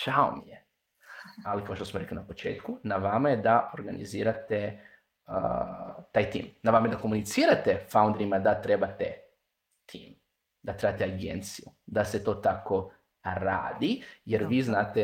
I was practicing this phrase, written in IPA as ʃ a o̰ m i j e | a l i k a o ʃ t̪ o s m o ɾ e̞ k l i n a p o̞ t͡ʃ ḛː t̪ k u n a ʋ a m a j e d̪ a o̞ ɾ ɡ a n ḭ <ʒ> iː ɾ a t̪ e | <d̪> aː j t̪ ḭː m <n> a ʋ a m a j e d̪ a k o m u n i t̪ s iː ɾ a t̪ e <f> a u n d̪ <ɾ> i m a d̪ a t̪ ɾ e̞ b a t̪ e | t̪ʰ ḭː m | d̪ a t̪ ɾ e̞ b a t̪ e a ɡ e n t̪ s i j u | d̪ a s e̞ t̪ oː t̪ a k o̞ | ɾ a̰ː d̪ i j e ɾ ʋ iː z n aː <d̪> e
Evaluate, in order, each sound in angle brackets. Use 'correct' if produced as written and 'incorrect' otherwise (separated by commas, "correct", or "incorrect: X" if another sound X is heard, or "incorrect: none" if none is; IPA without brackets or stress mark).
incorrect: z, incorrect: t̪, correct, correct, correct, incorrect: t̪